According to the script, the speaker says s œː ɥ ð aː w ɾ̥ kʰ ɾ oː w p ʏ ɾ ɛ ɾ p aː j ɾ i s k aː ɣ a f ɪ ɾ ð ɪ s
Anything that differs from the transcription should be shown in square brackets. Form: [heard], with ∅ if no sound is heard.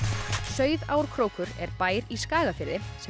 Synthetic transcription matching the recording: s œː ɥ ð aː w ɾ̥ kʰ ɾ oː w [k] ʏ ɾ ɛ ɾ p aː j ɾ i s k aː ɣ a f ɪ ɾ ð ɪ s